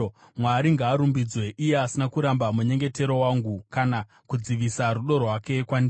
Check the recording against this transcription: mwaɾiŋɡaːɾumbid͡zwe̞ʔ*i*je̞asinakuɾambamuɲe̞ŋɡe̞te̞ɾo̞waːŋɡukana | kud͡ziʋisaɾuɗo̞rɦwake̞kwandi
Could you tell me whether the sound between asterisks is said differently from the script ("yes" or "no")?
no